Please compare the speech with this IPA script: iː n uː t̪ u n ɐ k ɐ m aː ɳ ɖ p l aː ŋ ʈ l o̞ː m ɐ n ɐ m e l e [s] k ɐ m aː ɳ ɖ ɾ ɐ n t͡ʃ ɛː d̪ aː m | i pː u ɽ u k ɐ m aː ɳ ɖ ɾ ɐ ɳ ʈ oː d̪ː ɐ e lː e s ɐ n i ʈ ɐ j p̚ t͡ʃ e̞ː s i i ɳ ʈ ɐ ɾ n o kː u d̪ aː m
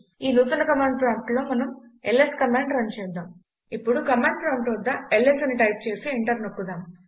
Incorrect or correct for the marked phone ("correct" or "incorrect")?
correct